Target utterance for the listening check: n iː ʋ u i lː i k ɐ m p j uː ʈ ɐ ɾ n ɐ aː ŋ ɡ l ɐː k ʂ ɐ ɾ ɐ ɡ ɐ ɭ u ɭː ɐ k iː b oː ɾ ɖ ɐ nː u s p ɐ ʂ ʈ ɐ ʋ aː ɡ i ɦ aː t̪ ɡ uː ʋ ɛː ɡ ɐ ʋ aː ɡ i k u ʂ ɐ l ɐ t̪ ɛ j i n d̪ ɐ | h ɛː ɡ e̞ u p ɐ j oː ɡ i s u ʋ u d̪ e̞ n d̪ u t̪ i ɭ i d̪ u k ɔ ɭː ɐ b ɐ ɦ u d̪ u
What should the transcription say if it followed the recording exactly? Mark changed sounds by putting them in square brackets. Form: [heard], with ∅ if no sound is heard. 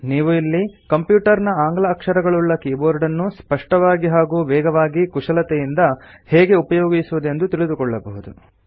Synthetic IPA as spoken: n iː ʋ u i lː i k ɐ m p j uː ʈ ɐ ɾ n ɐ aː ŋ ɡ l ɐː k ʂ ɐ ɾ ɐ ɡ ɐ ɭ u ɭː ɐ k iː b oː ɾ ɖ ɐ nː u s p ɐ ʂ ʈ ɐ ʋ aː ɡ i ɦ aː [∅] ɡ uː ʋ ɛː ɡ ɐ ʋ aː ɡ i k u ʂ ɐ l ɐ t̪ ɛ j i n d̪ ɐ | h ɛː ɡ e̞ u p ɐ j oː ɡ i s u ʋ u d̪ e̞ n d̪ u t̪ i ɭ i d̪ u k ɔ ɭː ɐ b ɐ ɦ u d̪ u